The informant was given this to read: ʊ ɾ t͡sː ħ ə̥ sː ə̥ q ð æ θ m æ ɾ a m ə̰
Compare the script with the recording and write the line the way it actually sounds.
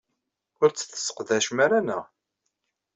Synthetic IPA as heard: ʊ ɾ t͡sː θ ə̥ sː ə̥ q ð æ ʃ m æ ɾ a n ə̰

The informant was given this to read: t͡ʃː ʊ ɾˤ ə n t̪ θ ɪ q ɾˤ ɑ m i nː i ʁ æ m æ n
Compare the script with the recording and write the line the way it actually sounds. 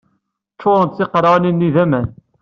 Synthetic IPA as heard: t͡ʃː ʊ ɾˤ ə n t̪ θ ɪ q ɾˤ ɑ n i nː i ð æ m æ n

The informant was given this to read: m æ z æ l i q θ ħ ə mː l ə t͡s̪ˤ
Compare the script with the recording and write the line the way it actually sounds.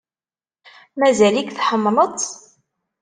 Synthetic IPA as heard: m æ z æ l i k θ ħ ə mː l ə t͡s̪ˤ

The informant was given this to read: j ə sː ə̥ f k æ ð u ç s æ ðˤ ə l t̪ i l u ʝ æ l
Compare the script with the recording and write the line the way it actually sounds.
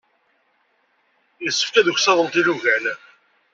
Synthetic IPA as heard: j ə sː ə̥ f k æ ð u ç s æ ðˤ ə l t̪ i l u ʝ æ l

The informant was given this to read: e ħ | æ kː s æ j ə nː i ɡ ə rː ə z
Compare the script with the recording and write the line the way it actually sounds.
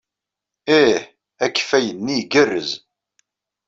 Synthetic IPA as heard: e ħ | æ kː f æ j ə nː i ɡ ə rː ə z

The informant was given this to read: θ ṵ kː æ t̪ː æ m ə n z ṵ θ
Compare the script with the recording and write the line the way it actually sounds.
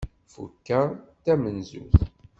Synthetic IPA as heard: f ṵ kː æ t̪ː æ m ə n z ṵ θ

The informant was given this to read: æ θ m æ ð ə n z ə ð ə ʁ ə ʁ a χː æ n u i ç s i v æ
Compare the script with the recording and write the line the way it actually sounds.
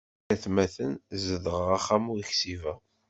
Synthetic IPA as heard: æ θ m æ θ ə n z ə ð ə ʁ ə ʁ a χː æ m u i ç s i v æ

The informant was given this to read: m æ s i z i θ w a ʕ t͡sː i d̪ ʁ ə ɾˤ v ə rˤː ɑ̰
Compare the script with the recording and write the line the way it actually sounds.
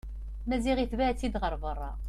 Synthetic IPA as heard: m æ z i ʁ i θ v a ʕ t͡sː i d̪ ʁ ə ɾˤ v ə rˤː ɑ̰

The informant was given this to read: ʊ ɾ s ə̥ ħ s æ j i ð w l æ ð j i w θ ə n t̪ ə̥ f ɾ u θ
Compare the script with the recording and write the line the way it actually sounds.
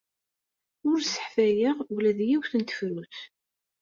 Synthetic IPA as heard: ʊ ɾ s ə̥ ħ f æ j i ʁ w l æ ð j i w θ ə n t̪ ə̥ f ɾ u θ

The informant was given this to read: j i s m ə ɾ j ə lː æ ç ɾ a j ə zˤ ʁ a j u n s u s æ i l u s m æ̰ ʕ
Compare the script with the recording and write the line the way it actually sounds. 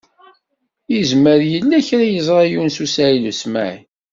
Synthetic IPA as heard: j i z m ə ɾ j ə lː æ ç ɾ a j ə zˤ ʁ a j u n s u s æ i l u s m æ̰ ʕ

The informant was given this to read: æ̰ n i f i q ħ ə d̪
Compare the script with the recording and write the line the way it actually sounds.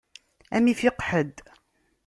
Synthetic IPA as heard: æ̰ m i f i q ħ ə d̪

